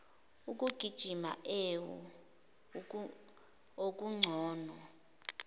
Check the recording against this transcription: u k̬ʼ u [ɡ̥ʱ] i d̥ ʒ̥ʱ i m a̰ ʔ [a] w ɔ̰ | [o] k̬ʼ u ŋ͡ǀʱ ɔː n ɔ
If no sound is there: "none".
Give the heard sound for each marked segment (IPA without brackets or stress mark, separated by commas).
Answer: ɡ̥ʱ, e, o